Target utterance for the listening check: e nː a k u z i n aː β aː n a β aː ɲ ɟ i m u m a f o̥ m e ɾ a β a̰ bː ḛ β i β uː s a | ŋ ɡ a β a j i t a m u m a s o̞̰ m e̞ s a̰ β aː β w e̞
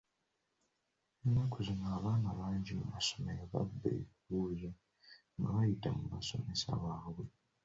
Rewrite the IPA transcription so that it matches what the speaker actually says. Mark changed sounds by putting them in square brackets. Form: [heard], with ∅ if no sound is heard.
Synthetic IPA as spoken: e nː a k u z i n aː β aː n a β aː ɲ ɟ i m u m a [s] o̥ m e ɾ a β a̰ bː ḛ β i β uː [z] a | ŋ ɡ a β a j i t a m u m a s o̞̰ m e̞ s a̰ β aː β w e̞

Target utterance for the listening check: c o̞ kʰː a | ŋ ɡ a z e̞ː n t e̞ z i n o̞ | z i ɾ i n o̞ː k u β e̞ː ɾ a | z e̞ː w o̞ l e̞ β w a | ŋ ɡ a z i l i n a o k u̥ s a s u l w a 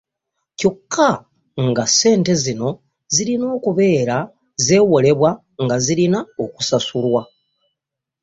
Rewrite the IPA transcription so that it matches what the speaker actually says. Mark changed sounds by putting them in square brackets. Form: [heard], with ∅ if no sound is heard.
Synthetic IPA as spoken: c o̞ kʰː a | ŋ ɡ a [s] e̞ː n t e̞ z i n o̞ | z i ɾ i n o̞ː k u β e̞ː ɾ a | z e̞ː w o̞ l e̞ β w a | ŋ ɡ a z i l i n a o k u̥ s a s u l w a

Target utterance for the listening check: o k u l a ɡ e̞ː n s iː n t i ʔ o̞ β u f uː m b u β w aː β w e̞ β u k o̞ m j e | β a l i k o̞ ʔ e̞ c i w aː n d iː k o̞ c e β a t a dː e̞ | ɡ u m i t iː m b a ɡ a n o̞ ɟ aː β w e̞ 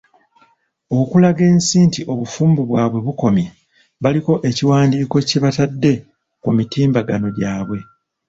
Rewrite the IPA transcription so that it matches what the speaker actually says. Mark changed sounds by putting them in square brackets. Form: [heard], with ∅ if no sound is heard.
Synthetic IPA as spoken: o k u l a ɡ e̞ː n s iː n t i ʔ o̞ β u f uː m b u β w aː β w e̞ β u k o̞ m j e | β a l i k o̞ ʔ e̞ c i w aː n d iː k o̞ c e β a t a dː e̞ | [k] u m i t iː m b a ɡ a n o̞ ɟ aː β w e̞

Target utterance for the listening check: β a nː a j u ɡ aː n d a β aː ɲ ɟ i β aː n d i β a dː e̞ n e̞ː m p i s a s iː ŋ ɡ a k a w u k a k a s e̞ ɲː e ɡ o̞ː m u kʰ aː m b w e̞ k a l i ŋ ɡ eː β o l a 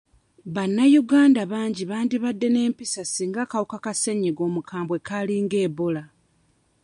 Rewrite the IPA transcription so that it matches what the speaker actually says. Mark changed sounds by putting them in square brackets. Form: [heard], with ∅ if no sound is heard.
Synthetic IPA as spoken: β a nː a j u ɡ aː n d a β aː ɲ ɟ i β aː n d i β a dː e̞ n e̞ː m p i s a s iː ŋ ɡ a k a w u k a k a s e̞ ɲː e ɡ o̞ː m u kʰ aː m b w e̞ k a l i ŋ ɡ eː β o l a

